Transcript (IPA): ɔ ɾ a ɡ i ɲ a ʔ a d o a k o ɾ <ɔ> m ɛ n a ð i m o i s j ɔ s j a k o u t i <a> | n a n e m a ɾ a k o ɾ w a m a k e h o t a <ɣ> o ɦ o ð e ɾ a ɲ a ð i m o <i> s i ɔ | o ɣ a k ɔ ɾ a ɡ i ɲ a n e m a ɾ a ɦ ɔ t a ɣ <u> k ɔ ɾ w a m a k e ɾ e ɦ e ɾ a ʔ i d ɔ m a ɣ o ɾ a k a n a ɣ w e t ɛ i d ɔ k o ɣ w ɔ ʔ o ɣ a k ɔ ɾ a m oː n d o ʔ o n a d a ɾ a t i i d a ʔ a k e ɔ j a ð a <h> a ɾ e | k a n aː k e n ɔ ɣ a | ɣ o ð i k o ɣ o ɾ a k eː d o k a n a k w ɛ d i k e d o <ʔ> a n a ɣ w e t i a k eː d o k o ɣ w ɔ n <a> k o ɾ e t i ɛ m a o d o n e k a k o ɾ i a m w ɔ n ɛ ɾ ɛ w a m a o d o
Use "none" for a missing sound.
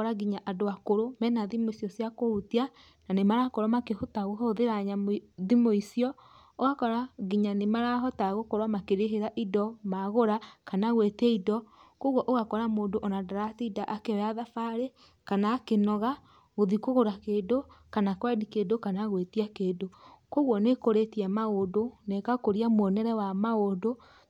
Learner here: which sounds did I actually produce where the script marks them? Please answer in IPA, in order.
o, a, ɣ, i, o, f, k, e

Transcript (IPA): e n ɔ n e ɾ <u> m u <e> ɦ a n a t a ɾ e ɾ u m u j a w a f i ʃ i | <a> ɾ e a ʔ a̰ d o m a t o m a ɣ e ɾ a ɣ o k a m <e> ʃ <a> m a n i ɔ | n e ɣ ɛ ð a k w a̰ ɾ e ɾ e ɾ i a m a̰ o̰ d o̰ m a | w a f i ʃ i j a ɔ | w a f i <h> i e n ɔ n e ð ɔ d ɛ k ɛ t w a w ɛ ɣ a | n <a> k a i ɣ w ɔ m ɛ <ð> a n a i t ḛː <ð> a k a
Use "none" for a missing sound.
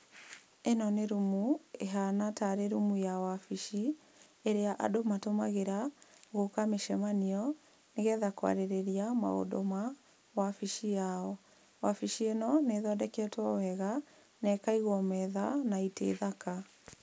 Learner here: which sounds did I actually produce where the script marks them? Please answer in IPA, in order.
u, e, e, e, ɛ, ʃ, ɛ, ð, ð

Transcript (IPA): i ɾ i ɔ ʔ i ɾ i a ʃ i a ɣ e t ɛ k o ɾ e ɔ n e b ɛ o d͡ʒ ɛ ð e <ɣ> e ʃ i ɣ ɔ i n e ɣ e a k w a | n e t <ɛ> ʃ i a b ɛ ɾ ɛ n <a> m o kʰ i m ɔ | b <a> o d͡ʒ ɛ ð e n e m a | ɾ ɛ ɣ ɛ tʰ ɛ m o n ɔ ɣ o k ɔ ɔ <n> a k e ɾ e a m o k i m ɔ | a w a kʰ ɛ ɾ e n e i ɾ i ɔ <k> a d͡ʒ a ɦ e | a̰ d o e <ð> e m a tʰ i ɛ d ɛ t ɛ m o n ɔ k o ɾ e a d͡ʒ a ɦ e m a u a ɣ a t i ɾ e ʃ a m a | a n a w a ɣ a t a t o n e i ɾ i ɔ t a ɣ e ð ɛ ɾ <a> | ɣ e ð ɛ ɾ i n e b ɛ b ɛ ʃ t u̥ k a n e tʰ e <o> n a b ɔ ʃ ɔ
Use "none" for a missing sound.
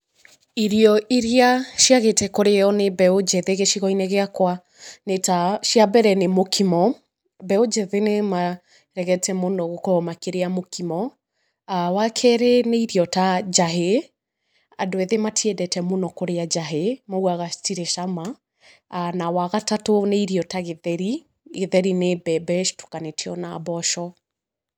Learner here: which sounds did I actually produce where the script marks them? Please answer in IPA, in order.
ɣ, a, e, ɛ, m, t, ð, i, ɔ

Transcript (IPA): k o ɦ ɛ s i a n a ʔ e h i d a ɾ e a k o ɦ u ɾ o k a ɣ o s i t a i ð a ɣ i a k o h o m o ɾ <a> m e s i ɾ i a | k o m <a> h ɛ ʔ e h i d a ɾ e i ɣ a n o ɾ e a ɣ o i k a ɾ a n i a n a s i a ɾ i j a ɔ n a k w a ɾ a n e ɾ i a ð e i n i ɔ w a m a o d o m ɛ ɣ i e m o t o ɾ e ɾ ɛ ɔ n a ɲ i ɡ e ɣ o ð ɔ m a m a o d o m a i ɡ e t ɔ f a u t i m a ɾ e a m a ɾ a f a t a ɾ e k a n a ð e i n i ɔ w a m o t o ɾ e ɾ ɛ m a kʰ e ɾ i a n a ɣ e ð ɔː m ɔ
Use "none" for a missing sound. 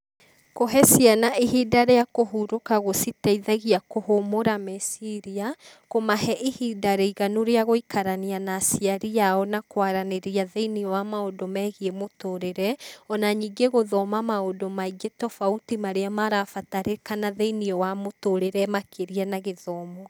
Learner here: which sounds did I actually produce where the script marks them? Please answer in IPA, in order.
a, a

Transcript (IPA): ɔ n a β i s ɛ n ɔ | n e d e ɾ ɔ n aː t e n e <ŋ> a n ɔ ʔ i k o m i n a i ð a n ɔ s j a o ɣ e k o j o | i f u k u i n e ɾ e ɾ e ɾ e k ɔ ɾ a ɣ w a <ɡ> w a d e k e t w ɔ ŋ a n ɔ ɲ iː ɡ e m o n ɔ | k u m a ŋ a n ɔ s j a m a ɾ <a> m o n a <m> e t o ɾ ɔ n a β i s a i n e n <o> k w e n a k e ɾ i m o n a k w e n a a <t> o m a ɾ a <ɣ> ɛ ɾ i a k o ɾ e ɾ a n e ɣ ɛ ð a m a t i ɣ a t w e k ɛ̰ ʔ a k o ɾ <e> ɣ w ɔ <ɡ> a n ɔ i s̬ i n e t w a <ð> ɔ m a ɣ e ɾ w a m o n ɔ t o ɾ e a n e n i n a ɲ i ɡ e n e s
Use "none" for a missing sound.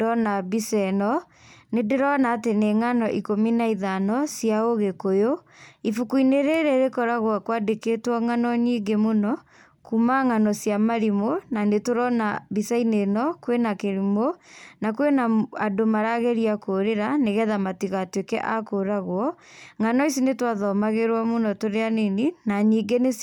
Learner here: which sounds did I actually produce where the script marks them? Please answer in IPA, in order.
ŋ, k, i, n, ɔ, d, ɣ, a, ŋ, ð

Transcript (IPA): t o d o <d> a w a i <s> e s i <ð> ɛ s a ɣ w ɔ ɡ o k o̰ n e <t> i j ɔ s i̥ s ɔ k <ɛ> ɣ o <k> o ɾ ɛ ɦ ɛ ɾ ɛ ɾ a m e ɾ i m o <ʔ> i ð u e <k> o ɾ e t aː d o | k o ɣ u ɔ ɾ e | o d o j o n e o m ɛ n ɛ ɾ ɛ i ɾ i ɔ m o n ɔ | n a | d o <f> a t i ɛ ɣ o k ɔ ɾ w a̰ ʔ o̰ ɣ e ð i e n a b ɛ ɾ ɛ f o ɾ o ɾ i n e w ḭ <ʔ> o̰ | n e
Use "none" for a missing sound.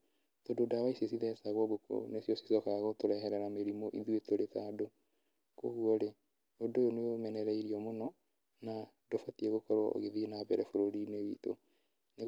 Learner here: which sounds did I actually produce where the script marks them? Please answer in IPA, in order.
d, s, ð, s, a, t, ʔ, t, f, t

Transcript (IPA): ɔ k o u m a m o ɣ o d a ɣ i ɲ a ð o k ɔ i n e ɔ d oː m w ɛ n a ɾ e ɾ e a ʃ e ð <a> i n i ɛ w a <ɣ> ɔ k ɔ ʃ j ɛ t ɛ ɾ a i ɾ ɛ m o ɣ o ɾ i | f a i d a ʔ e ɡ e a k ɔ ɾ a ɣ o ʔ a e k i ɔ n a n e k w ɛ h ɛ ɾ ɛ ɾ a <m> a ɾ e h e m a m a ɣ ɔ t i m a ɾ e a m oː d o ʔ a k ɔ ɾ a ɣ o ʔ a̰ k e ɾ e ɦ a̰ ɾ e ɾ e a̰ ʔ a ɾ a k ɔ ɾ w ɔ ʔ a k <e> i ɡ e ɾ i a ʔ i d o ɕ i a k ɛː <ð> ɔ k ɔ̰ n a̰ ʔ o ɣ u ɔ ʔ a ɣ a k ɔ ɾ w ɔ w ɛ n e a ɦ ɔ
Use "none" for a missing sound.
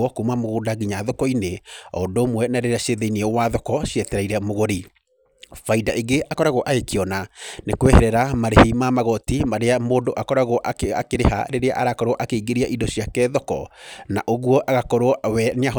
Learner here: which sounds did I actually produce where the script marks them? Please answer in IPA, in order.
e, ð, m, e, ð

